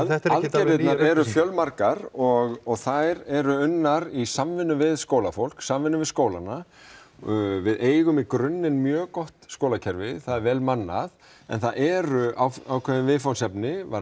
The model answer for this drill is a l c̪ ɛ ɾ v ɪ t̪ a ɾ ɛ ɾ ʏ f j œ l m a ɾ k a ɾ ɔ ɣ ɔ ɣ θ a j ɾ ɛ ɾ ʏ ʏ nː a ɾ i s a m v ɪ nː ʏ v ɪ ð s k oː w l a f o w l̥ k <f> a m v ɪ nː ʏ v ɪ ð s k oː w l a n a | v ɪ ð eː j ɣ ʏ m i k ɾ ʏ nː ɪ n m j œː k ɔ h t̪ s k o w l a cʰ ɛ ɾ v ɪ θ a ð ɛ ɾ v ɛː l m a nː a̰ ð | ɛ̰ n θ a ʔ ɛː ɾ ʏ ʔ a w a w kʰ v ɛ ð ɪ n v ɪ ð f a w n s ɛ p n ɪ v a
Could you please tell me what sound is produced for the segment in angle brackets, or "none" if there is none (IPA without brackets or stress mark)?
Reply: s